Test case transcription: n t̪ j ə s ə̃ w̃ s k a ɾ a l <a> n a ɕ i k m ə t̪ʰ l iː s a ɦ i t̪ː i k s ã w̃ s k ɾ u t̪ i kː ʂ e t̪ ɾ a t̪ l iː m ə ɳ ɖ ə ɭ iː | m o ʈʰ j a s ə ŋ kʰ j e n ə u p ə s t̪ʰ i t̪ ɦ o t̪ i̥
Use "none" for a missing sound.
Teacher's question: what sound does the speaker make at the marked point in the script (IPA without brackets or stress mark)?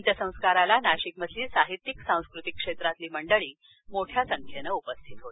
a